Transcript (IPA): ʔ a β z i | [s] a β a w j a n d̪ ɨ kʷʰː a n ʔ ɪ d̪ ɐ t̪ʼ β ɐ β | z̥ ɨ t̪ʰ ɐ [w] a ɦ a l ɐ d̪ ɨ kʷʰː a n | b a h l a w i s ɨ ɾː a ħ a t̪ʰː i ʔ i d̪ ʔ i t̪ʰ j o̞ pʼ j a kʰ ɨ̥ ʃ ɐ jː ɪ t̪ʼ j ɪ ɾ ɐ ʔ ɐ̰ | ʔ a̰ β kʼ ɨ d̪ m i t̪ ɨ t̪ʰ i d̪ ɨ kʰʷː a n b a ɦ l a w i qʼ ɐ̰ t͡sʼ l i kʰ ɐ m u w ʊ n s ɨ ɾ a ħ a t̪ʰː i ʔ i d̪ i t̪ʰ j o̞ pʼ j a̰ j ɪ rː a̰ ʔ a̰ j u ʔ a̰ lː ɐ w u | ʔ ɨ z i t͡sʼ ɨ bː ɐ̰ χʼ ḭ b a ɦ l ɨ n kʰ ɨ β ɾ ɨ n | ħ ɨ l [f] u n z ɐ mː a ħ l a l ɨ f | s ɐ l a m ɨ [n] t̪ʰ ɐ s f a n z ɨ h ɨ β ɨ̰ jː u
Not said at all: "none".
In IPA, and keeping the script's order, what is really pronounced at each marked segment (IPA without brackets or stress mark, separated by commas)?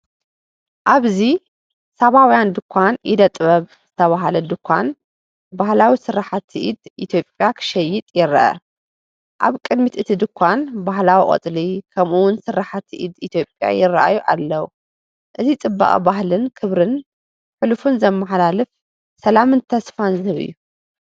s, β, f, n